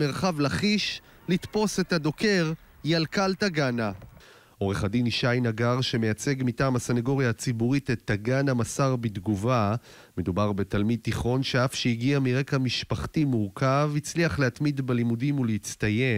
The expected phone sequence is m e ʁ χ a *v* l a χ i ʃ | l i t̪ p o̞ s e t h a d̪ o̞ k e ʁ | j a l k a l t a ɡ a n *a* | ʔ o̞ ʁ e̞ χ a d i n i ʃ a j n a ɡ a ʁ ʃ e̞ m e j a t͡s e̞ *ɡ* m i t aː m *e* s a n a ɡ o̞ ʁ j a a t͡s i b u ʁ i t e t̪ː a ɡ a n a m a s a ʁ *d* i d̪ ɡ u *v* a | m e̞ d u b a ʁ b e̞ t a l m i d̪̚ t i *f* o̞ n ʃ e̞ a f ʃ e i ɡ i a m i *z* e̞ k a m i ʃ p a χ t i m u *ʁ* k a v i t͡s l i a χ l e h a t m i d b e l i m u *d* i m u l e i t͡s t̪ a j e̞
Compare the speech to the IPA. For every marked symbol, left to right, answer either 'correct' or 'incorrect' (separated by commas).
correct, correct, correct, incorrect, incorrect, correct, incorrect, incorrect, correct, correct